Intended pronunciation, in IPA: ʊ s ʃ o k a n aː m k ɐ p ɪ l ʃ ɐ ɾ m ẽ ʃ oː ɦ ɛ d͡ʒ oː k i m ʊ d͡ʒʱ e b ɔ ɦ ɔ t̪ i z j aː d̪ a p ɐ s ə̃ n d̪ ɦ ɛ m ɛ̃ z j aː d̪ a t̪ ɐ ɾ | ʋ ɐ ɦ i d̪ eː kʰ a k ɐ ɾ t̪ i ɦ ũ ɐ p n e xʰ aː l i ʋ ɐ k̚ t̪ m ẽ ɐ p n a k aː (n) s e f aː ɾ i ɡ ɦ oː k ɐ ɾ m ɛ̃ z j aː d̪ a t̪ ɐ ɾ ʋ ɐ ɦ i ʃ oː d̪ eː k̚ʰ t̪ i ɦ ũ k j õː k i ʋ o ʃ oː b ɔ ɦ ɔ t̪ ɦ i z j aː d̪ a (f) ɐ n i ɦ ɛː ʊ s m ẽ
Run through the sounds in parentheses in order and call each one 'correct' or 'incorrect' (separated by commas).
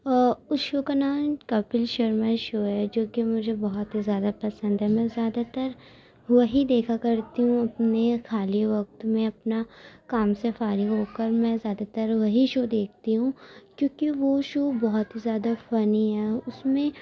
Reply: incorrect, correct